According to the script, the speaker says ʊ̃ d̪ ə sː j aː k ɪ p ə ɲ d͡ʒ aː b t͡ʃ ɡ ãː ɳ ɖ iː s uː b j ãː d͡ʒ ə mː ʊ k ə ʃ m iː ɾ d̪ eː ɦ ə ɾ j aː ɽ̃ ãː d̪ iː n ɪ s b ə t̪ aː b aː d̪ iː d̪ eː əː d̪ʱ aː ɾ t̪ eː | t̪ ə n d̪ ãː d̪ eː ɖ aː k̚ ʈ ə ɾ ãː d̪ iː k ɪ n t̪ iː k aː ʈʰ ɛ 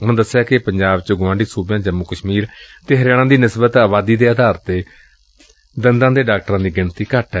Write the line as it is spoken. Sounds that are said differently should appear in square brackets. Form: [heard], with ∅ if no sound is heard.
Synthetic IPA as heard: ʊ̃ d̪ ə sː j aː k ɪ p ə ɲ d͡ʒ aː b t͡ʃ ɡ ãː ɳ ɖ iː s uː b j ãː d͡ʒ ə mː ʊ k ə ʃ m iː ɾ [t̪] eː ɦ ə ɾ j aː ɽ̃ ãː d̪ iː n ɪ s b ə t̪ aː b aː d̪ iː d̪ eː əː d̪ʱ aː ɾ t̪ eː | [d̪] ə n d̪ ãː d̪ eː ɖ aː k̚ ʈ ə ɾ ãː d̪ iː [ɡ] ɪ n t̪ iː k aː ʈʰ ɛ